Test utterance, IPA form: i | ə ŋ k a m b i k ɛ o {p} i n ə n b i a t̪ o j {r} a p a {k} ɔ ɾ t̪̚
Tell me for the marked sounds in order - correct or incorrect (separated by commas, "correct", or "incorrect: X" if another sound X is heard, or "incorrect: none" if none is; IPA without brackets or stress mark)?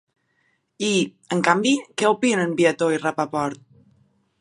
correct, correct, incorrect: p